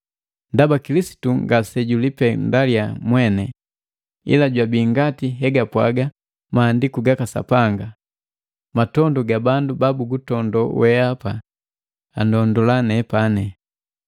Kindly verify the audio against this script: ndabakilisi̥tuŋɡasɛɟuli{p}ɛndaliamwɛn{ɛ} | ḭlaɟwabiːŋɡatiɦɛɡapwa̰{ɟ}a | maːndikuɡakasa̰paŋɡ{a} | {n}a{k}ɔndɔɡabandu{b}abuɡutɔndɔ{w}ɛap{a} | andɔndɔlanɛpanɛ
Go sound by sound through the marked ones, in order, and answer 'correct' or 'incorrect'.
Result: correct, correct, incorrect: ɡ, correct, incorrect: m, incorrect: t, correct, correct, correct

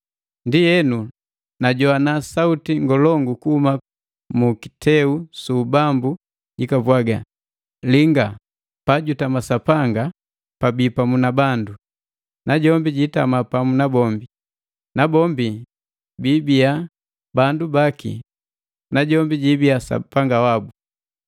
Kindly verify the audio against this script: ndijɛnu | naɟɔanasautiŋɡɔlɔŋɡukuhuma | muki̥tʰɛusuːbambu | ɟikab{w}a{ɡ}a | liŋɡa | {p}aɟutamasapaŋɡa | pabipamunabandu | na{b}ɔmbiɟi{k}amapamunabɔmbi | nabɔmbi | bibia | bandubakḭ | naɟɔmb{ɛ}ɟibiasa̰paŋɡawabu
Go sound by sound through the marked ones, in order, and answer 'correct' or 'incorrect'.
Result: correct, correct, correct, incorrect: ɟ, incorrect: t, incorrect: i

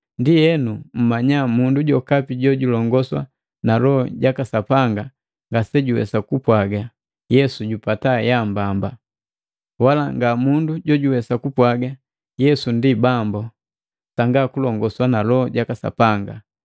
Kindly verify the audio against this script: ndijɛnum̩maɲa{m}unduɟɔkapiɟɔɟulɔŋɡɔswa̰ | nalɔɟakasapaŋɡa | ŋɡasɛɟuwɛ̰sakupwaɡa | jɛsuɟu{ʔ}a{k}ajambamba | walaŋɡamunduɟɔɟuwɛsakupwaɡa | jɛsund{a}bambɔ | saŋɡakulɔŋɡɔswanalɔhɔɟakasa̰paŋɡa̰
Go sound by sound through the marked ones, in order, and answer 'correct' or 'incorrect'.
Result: correct, incorrect: p, incorrect: t, incorrect: i

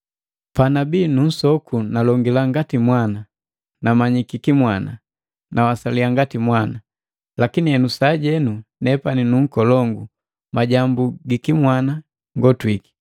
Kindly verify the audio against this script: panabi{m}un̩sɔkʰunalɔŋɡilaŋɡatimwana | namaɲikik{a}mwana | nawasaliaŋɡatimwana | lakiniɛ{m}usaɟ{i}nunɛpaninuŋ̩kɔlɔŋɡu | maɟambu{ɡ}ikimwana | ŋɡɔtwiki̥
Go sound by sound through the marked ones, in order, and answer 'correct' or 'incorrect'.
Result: incorrect: n, incorrect: i, incorrect: n, incorrect: ɛ, correct

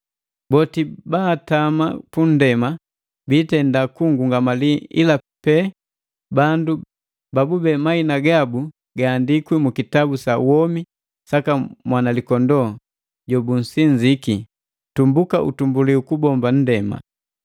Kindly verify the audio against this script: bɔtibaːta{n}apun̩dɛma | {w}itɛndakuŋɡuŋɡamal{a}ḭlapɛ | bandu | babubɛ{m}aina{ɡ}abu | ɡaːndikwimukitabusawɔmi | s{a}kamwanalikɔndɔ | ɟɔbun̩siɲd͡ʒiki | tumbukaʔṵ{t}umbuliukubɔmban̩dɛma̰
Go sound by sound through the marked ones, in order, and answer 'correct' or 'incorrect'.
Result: incorrect: m, incorrect: b, incorrect: i, correct, correct, correct, correct

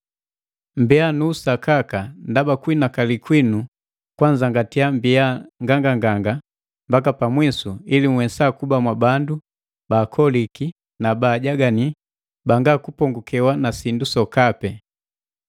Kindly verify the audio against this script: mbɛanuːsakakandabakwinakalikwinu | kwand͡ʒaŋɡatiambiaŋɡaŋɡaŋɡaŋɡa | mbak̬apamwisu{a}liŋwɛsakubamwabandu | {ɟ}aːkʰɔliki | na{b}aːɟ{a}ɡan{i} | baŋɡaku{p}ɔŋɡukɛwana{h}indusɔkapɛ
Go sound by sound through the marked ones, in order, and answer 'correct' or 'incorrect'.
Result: incorrect: i, incorrect: b, correct, correct, correct, correct, incorrect: s

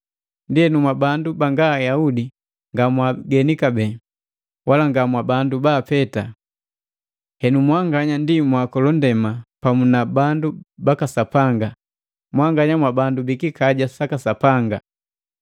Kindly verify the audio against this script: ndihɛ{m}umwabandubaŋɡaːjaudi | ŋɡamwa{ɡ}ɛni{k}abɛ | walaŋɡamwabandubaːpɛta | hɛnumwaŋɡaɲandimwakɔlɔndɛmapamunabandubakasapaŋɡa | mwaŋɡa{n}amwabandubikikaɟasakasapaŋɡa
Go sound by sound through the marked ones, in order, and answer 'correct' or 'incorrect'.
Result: incorrect: n, correct, correct, incorrect: ɲ

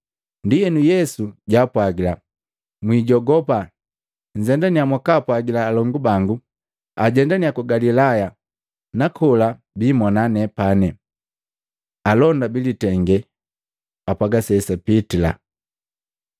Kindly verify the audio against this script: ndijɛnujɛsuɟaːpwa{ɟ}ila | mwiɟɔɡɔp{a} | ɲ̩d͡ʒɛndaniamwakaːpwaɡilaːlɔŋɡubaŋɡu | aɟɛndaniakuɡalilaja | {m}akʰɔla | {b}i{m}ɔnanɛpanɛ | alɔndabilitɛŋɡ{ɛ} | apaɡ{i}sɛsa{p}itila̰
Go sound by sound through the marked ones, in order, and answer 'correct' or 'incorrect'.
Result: incorrect: ɡ, correct, incorrect: n, correct, correct, correct, incorrect: a, correct

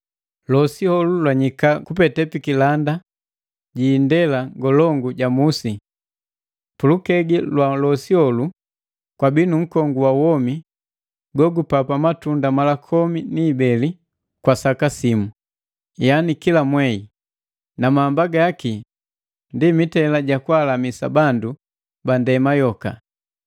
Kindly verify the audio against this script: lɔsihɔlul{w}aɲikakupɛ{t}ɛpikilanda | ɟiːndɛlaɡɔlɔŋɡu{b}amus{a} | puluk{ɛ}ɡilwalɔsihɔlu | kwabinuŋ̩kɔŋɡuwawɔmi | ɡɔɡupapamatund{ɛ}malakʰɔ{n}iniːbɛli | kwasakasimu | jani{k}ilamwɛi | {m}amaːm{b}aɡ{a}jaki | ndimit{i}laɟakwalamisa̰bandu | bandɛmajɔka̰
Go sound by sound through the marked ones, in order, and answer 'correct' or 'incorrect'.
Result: correct, correct, incorrect: ɟ, incorrect: i, correct, incorrect: a, incorrect: m, correct, incorrect: n, correct, correct, incorrect: ɛ

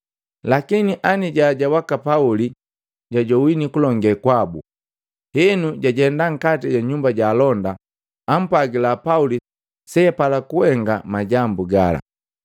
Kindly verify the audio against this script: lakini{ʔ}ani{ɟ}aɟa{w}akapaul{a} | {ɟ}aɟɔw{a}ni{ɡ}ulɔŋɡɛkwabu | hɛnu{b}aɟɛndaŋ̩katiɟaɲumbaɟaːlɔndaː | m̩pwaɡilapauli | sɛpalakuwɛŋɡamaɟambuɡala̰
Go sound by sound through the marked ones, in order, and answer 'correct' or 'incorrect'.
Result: correct, correct, correct, incorrect: i, correct, incorrect: i, incorrect: k, incorrect: ɟ

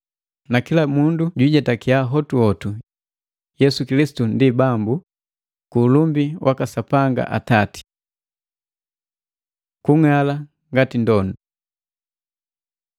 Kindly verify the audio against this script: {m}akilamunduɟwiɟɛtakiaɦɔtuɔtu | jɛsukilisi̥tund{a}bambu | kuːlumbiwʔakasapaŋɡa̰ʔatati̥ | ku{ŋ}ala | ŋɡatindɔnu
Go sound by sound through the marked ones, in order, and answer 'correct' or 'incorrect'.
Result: incorrect: n, incorrect: i, correct

